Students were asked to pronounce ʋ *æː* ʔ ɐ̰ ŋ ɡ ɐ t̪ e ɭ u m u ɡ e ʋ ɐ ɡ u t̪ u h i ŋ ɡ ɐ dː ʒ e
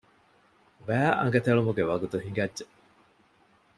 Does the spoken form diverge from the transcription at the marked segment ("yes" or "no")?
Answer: no